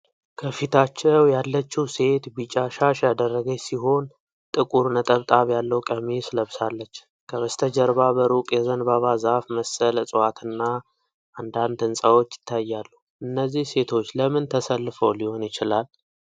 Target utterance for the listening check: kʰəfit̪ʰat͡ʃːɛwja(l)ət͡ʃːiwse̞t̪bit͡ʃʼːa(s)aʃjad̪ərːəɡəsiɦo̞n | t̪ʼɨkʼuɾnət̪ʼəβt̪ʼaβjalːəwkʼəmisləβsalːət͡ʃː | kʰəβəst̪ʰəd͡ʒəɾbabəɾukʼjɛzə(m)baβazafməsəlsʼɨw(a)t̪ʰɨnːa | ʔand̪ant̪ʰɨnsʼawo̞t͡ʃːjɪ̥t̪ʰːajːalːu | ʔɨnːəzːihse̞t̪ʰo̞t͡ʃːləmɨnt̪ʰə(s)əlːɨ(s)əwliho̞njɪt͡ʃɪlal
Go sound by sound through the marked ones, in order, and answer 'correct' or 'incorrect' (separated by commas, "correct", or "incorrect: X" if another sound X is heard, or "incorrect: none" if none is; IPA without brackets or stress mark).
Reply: incorrect: lː, incorrect: ʃ, incorrect: n, correct, correct, incorrect: f